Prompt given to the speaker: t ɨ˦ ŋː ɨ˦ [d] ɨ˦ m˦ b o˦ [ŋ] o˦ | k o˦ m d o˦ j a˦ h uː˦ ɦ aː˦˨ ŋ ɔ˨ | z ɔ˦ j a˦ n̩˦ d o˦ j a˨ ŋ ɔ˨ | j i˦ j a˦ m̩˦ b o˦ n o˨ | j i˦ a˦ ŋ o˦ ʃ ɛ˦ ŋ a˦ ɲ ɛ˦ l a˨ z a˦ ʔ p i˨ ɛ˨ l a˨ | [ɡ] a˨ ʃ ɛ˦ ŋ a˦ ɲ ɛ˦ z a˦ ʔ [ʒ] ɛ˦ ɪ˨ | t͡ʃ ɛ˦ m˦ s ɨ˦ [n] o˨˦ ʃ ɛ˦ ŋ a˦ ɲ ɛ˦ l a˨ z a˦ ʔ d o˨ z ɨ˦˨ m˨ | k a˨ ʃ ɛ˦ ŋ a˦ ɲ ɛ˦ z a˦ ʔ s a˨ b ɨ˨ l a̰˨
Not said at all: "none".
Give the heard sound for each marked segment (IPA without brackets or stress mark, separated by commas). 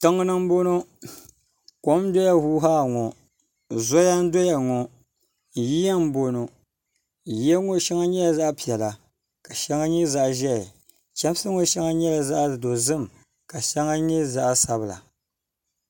n, n, k, ʒ, ŋ